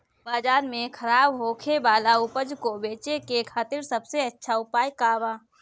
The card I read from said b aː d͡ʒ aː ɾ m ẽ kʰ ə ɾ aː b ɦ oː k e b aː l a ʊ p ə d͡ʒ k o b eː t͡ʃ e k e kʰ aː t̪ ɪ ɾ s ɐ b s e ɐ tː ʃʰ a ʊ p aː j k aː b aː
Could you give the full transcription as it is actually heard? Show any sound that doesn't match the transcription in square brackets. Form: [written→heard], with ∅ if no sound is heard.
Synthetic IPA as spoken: b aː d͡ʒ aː ɾ m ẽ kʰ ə ɾ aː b ɦ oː [k→kʰ] e b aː l a ʊ p ə d͡ʒ k o b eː t͡ʃ e k e kʰ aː t̪ ɪ ɾ s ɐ b s e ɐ tː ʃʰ a ʊ p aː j k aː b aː